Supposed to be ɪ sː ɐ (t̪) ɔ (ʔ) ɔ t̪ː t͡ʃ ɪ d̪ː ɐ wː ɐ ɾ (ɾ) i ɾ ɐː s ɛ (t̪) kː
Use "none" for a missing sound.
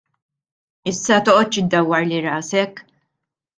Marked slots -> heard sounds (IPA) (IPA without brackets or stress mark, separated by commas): t̪, ʔ, l, none